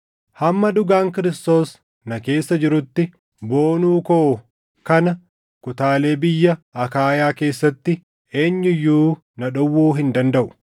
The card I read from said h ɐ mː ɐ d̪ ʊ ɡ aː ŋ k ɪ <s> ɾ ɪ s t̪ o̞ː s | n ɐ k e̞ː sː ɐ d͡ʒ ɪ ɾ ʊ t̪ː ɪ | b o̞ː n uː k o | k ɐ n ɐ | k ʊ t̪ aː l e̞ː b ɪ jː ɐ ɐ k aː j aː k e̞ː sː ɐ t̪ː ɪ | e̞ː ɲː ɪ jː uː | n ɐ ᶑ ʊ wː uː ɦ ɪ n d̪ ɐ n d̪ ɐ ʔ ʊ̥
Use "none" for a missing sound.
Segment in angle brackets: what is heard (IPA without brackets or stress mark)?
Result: none